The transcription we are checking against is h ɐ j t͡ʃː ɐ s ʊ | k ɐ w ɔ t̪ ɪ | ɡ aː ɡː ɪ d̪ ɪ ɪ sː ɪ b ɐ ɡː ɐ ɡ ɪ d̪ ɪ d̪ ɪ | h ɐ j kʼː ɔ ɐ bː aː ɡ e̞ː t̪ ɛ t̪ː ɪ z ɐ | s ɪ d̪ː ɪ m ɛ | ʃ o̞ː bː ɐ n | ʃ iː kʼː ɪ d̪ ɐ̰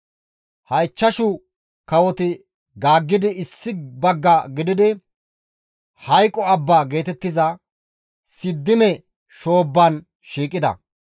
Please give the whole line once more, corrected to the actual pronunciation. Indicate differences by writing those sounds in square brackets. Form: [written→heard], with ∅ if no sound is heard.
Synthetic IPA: h ɐ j t͡ʃː ɐ [s→ʃ] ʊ | k ɐ w ɔ t̪ ɪ | ɡ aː ɡː ɪ d̪ ɪ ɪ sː ɪ b ɐ ɡː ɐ ɡ ɪ d̪ ɪ d̪ ɪ | h ɐ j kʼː ɔ ɐ bː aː ɡ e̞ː t̪ ɛ t̪ː ɪ z ɐ | s ɪ d̪ː ɪ m ɛ | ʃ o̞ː bː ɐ n | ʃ iː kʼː ɪ d̪ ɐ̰